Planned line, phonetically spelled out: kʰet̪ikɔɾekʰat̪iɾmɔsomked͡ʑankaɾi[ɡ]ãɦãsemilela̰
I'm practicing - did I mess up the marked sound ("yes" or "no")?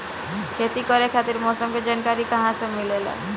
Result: yes